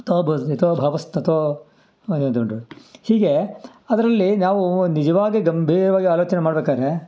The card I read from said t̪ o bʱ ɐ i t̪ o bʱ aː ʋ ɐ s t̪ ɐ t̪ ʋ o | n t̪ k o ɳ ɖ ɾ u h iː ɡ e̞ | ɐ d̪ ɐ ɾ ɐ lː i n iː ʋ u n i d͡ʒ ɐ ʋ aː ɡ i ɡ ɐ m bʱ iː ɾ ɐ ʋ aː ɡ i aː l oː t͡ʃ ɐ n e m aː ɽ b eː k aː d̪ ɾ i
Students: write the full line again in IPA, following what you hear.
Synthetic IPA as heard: t̪ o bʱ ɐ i t̪ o bʱ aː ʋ ɐ s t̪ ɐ t̪ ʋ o | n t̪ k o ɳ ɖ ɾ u h iː ɡ e̞ | ɐ d̪ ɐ ɾ ɐ lː i n aː ʋ u n i d͡ʒ ɐ ʋ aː ɡ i ɡ ɐ m bʱ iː ɾ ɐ ʋ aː ɡ i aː l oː t͡ʃ ɐ n e m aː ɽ b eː k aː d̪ ɾ e

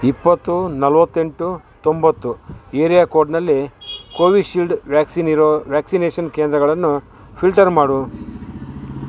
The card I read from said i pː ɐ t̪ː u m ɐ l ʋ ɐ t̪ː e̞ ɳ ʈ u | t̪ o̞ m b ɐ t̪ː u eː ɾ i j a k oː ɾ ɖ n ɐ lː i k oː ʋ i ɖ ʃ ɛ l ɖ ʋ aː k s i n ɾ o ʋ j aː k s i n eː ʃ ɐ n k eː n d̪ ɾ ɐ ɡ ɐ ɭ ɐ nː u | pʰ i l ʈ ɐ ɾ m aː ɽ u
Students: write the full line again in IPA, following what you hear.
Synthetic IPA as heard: i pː ɐ t̪ː u n ɐ l ʋ ɐ t̪ː e̞ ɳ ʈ u | t̪ o̞ m b ɐ t̪ː u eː ɾ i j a k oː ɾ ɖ n ɐ lː i k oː ʋ i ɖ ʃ i l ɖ ʋ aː k s i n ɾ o ʋ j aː k s i n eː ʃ ɐ n k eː n d̪ ɾ ɐ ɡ ɐ ɭ ɐ nː u | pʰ i l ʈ ɐ ɾ m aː ɽ u

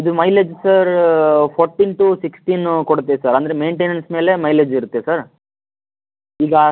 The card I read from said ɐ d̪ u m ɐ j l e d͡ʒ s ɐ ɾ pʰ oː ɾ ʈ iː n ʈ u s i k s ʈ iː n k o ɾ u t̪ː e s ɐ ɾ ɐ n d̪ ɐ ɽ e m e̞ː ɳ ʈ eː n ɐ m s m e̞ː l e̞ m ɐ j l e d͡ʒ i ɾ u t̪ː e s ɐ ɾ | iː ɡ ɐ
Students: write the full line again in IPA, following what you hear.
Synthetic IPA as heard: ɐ d̪ u m ɐ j l e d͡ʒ s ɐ ɾ pʰ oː ɾ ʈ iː n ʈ u s i k s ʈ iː n k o ɽ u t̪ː e s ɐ ɾ ɐ n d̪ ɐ ɾ e m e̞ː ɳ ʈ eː n ɐ n s m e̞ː l e̞ m ɐ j l e d͡ʒ i ɾ u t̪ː e s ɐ ɾ | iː ɡ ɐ

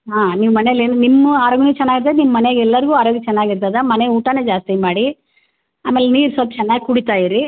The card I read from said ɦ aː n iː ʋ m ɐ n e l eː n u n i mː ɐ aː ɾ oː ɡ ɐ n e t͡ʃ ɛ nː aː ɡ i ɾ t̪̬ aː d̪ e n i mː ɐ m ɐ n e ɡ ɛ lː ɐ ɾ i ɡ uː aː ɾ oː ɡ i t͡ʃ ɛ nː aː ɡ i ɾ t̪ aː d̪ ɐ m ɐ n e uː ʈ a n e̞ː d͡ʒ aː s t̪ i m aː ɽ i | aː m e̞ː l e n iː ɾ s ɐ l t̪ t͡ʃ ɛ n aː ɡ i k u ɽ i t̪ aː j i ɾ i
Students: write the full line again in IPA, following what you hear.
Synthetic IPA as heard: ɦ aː n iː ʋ m ɐ n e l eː n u n i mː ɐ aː ɾ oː ɡ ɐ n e t͡ʃ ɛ nː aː ɡ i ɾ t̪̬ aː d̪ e n i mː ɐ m ɐ n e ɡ ɛ lː ɐ ɾ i ɡ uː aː ɾ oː ɡ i t͡ʃ ɛ nː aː ɡ i ɾ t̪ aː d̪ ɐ m ɐ n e uː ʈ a n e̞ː d͡ʒ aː s t̪ i m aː ɽ i | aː m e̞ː l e n iː ɾ s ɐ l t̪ t͡ʃ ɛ nː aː ɡ i k u ɽ i t̪ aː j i ɾ i

